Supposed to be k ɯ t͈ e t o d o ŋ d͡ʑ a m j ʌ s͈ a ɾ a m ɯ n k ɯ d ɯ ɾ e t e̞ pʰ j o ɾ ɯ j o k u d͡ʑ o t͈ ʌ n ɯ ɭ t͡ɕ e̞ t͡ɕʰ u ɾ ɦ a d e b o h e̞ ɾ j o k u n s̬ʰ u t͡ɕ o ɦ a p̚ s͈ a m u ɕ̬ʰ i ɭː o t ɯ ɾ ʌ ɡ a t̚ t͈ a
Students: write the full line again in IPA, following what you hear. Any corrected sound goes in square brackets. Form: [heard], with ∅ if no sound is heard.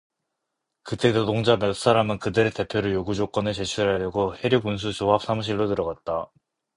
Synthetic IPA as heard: k ɯ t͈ e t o d o ŋ d͡ʑ a m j ʌ s͈ a ɾ a m ɯ n k ɯ d ɯ ɾ e t e̞ pʰ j o ɾ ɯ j o [ɡ] u d͡ʑ o [k͈] ʌ n ɯ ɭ t͡ɕ e̞ t͡ɕʰ u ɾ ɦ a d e [ɡ] o h e̞ ɾ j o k u n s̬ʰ u t͡ɕ o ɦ a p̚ s͈ a m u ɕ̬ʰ i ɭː o t ɯ ɾ ʌ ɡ a t̚ t͈ a